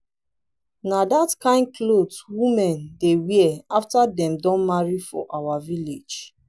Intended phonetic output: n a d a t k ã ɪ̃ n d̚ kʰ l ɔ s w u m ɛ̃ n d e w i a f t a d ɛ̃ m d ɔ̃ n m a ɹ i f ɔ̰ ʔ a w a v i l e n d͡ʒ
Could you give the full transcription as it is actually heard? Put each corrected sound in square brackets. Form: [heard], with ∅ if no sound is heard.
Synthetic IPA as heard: n a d a t k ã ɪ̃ n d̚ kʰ l [o] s w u m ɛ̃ n d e w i a f t a d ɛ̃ m d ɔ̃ n m a ɹ i f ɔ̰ ʔ a w a v i l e [∅] d͡ʒ